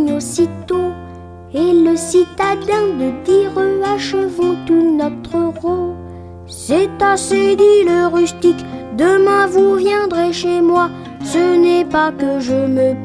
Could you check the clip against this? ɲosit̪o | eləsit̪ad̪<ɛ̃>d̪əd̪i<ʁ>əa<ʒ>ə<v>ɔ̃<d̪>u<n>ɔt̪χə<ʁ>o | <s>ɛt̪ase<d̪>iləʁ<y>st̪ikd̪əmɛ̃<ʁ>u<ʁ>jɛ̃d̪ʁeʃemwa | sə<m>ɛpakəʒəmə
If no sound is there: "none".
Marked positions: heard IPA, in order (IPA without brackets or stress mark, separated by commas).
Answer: ɛ̃, ʁ, ʃ, v, t̪, n, ʁ, s, d̪, y, v, v, n